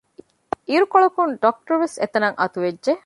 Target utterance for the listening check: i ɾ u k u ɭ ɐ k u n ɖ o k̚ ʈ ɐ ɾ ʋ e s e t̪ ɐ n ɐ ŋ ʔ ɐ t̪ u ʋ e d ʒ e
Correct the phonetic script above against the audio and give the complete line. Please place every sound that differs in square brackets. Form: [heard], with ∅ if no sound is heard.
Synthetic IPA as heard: i ɾ u k [o] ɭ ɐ k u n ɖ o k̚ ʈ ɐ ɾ ʋ e s e t̪ ɐ n ɐ ŋ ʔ ɐ t̪ u ʋ e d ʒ e